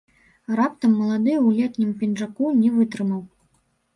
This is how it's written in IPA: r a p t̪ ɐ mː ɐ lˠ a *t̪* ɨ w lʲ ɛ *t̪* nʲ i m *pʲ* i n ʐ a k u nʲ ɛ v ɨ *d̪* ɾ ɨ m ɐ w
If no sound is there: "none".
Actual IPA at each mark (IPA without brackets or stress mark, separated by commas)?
d̪, t̪, pʲ, t̪